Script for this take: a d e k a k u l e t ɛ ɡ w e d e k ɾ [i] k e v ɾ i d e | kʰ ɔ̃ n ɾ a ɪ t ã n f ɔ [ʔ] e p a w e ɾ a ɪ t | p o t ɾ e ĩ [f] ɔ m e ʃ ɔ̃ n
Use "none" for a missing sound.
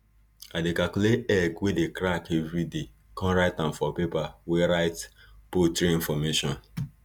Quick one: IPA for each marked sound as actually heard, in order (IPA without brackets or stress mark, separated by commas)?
a, p, f